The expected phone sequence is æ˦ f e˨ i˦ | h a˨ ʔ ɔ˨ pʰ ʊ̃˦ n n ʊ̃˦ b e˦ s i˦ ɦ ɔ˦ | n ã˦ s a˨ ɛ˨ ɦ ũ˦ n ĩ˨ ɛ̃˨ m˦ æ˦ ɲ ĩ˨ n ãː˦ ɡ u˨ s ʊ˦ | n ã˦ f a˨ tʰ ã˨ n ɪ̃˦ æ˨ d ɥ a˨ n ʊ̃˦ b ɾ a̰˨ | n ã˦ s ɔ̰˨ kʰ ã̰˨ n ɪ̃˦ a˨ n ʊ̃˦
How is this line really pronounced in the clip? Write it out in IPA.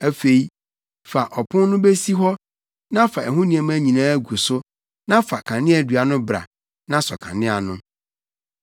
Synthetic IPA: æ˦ f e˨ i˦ | f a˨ ʔ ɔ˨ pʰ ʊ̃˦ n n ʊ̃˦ b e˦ s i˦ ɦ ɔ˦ | n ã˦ f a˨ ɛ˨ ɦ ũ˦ n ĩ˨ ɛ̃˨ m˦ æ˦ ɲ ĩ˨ n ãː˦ ɡ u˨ s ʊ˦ | n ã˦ f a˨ kʰ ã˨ n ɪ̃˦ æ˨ d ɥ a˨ n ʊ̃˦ b ɾ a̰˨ | n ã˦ s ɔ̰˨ kʰ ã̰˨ n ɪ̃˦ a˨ n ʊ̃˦